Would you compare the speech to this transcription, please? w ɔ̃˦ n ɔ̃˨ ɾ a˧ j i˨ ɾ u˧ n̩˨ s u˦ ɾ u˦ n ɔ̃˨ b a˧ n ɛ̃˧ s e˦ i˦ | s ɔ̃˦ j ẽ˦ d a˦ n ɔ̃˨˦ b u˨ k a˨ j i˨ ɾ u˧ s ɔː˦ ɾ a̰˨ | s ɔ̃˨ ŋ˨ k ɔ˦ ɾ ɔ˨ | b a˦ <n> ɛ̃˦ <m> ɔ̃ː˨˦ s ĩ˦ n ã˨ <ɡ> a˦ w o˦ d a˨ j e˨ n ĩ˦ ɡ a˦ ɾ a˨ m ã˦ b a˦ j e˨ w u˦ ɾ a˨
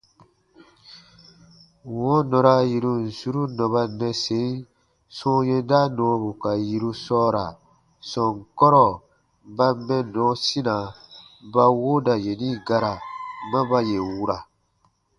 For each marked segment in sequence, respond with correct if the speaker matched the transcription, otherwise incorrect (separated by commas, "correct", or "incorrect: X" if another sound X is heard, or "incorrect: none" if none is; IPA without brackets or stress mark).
incorrect: m, incorrect: n, incorrect: b